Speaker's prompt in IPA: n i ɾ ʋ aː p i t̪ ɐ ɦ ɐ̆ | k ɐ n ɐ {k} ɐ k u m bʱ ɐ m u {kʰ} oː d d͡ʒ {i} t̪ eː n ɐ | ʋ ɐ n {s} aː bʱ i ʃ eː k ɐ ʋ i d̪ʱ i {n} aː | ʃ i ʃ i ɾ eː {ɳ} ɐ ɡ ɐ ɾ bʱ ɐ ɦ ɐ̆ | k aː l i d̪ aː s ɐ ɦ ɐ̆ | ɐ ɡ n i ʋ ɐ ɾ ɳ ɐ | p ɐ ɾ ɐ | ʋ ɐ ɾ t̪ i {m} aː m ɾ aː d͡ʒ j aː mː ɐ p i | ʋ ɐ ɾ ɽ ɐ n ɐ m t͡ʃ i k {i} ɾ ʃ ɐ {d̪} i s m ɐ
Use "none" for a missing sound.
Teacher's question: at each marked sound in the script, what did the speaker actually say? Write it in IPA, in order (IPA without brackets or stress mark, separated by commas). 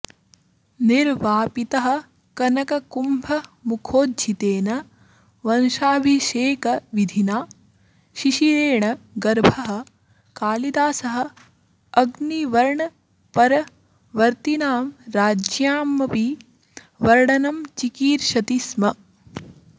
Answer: k, kʰ, i, ʃ, n, ɳ, n, iː, t̪